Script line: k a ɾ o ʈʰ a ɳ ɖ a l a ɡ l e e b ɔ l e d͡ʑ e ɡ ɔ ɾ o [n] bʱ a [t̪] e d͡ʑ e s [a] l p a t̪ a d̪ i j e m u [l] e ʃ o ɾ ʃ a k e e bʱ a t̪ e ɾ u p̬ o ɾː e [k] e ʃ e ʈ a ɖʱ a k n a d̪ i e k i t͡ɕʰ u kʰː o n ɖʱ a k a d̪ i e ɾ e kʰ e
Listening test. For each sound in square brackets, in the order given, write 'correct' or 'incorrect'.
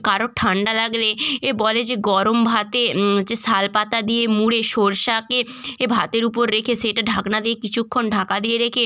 incorrect, correct, correct, incorrect, incorrect

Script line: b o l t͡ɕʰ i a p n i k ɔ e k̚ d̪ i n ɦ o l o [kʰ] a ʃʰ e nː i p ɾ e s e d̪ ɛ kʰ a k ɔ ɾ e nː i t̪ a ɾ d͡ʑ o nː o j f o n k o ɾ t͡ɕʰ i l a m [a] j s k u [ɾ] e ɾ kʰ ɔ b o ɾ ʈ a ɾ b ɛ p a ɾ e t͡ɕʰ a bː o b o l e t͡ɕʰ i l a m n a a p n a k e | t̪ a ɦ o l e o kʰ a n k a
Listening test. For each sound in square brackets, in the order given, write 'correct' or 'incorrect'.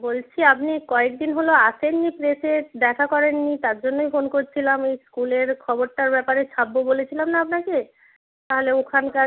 incorrect, incorrect, incorrect

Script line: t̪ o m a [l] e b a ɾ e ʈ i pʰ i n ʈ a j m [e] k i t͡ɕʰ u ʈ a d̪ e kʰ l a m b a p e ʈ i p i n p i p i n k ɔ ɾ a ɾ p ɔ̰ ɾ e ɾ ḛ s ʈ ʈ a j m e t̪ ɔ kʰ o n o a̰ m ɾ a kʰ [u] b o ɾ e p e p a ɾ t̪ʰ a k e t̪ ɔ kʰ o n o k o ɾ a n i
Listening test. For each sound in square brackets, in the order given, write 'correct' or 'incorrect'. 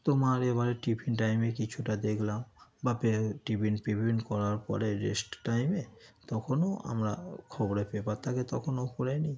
incorrect, correct, incorrect

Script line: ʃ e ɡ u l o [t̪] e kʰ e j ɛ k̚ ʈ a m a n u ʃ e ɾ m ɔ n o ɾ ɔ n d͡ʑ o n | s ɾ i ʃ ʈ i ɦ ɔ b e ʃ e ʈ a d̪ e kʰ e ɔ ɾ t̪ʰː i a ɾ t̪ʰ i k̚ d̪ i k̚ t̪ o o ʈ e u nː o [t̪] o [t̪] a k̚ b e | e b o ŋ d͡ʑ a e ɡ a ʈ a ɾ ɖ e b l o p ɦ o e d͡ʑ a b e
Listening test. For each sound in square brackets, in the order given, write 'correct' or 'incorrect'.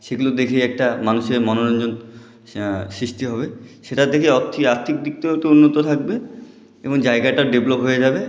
incorrect, correct, incorrect

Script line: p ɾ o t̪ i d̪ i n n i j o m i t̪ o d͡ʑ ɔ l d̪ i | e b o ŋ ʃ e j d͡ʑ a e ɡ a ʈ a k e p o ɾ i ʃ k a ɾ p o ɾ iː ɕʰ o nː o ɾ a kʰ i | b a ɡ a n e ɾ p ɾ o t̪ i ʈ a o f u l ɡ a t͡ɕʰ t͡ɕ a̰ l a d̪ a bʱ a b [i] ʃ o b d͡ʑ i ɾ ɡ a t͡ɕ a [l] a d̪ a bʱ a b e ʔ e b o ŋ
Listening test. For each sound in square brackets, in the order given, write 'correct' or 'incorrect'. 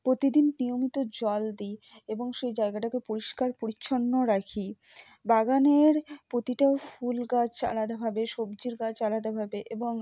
incorrect, correct

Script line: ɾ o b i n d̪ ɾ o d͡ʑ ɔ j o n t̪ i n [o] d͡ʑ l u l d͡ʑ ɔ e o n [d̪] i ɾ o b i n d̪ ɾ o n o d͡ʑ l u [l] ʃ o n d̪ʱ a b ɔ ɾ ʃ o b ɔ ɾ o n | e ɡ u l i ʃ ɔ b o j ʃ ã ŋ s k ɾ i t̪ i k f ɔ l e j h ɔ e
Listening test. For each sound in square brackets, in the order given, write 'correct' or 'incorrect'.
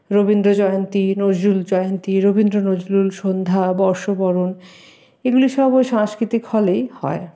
correct, incorrect, correct

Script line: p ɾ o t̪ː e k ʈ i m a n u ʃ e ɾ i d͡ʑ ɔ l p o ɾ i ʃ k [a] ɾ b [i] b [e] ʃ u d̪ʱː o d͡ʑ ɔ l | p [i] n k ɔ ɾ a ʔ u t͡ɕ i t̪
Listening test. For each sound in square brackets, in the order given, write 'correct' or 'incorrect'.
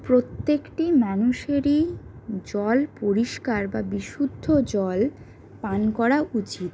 correct, incorrect, incorrect, incorrect

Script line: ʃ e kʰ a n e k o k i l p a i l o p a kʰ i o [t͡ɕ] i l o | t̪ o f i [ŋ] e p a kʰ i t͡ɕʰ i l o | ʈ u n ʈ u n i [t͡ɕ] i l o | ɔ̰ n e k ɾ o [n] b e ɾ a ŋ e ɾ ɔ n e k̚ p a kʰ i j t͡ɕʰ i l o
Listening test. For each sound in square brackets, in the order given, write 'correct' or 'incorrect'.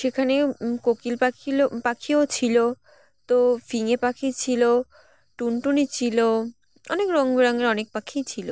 incorrect, correct, incorrect, incorrect

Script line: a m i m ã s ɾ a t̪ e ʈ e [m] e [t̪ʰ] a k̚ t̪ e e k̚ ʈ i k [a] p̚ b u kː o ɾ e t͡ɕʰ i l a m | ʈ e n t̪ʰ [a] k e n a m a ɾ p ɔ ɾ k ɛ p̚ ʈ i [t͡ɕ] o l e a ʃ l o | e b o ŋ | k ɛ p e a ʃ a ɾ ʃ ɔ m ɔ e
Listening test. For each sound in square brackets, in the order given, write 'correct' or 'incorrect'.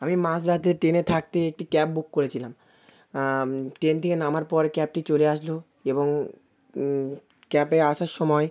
incorrect, correct, incorrect, incorrect, correct

